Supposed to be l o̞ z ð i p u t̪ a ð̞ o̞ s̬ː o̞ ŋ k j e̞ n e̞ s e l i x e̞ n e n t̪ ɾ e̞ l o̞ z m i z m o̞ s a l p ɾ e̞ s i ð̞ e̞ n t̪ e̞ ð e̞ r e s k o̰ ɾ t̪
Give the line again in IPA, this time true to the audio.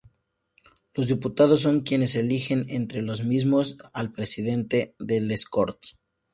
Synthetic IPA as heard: l o̞ z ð i p u t̪ a ð̞ o̞ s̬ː o̞ ŋ k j e̞ n e̞ s e l i x e̞ n e n t̪ ɾ e̞ l o̞ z m i z m o̞ s a l p ɾ e̞ s i ð̞ e̞ n t̪ e̞ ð e̞ l e s k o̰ ɾ t̪